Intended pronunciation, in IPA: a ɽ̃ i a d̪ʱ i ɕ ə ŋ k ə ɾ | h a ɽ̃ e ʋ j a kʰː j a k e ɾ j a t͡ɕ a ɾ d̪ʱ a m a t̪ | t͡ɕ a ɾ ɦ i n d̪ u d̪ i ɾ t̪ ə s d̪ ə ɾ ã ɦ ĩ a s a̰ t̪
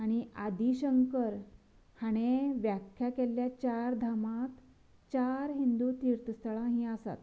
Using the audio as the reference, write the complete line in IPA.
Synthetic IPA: a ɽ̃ i a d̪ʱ i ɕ ə ŋ k ə ɾ | h a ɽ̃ e ʋ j a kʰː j a k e l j a t͡ɕ a ɾ d̪ʱ a m a t̪ | t͡ɕ a ɾ ɦ i n d̪ u t̪ i ɾ t̪ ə s t̪ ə ɭ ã ɦ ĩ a s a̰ t̪

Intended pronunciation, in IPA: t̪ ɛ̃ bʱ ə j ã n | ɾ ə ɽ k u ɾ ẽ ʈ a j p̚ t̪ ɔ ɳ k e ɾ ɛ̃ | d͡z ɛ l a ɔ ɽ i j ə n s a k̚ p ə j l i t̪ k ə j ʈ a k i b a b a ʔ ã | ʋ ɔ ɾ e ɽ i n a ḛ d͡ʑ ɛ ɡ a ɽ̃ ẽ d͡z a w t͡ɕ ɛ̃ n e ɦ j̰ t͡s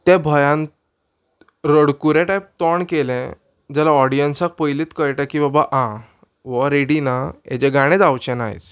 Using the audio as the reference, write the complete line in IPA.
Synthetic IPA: t̪ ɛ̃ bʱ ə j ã n | ɾ ə ɽ k u ɾ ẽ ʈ a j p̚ t̪ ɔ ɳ k e l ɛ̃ | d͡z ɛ l a ɔ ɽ i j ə n s a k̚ p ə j l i t̪ k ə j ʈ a k i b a b a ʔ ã | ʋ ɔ ɾ e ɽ i n a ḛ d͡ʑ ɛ ɡ a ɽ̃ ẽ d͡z a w t͡ɕ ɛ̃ n a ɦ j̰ t͡s

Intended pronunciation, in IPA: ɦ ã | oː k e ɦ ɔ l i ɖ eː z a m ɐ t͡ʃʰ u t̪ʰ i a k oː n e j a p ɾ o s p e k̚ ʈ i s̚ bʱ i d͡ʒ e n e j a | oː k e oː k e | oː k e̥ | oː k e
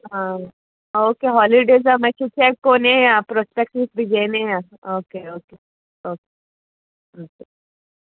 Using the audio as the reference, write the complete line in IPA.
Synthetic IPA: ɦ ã | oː k e ɦ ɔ l i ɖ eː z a m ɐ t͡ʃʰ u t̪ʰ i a k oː n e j a p ɾ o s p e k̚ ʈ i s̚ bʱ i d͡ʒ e n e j a | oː k e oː k e | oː k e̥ | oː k e

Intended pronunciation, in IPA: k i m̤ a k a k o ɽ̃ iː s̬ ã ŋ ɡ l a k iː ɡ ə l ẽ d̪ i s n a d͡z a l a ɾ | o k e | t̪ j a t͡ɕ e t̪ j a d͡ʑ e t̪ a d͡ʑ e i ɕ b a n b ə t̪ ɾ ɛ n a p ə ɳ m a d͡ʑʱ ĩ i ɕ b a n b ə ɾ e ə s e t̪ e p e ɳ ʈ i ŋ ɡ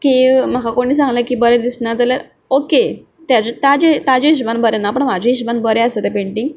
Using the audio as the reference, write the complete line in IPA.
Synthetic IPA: k i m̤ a k a k o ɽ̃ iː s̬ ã ŋ ɡ l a k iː b ə ɾ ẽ d̪ i s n a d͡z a l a ɾ | o k e | t̪ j a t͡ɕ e t̪ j a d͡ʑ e t̪ a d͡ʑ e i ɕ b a n b ə ɾ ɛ n a p ə ɳ m a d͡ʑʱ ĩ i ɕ b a n b ə ɾ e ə s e t̪ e p e ɳ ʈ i ŋ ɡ

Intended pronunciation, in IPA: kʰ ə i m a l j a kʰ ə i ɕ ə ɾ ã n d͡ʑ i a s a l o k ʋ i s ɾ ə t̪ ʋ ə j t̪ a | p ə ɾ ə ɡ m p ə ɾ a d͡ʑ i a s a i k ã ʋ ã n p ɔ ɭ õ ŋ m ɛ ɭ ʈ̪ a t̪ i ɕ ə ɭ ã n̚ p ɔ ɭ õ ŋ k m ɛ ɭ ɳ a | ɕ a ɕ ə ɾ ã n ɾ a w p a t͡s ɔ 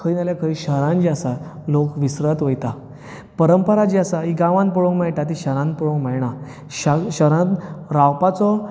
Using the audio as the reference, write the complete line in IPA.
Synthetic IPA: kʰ ə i n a l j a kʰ ə i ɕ ə ɾ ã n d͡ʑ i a s a l o k ʋ i s ɾ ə t̪ ʋ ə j t̪ a | p ə ɾ ə m p ə ɾ a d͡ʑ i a s a i ɡ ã ʋ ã n p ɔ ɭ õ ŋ m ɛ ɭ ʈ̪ a t̪ i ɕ ə ɾ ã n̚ p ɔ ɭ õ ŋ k m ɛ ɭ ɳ a | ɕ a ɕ ə ɾ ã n ɾ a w p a t͡s ɔ

